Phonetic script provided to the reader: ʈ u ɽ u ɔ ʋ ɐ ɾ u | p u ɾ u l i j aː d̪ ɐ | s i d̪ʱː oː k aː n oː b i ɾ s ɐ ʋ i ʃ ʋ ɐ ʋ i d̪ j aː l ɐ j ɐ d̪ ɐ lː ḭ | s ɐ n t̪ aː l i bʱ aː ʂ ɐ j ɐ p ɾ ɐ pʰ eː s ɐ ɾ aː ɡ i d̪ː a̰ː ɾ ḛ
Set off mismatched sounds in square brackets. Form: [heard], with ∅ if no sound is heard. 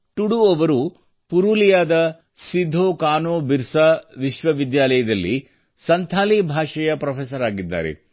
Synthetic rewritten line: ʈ u ɽ u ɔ ʋ ɐ ɾ u | p u ɾ u l i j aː d̪ ɐ | s i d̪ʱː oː k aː n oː b i ɾ s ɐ ʋ i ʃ ʋ ɐ ʋ i d̪ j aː l ɐ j ɐ d̪ ɐ lː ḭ | s ɐ n [t̪ʰ] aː l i bʱ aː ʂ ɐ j ɐ p ɾ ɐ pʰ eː s ɐ ɾ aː ɡ i d̪ː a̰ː ɾ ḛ